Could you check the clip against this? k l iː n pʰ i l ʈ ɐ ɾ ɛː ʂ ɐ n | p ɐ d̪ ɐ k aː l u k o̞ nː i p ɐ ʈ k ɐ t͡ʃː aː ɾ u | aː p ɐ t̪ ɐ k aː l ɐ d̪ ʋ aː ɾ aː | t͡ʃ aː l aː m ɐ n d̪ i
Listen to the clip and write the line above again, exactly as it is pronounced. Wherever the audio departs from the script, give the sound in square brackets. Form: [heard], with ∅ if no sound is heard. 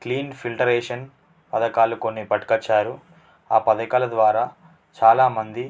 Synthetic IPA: k l iː n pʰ i l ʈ ɐ ɾ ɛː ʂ ɐ n | p ɐ d̪ ɐ k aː l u k o̞ nː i p ɐ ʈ k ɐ t͡ʃː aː ɾ u | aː p ɐ [d̪] ɐ k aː l ɐ d̪ ʋ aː ɾ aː | t͡ʃ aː l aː m ɐ n d̪ i